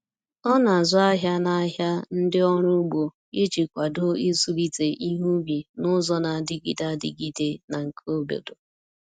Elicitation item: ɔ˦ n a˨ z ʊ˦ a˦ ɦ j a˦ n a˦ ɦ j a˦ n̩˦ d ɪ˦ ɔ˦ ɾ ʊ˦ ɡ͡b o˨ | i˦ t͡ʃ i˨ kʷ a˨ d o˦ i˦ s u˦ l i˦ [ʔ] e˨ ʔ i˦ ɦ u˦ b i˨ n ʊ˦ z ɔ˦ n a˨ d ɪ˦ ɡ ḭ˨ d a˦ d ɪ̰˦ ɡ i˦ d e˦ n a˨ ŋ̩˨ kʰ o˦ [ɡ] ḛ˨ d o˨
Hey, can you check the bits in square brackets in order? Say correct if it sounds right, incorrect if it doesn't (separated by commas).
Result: incorrect, incorrect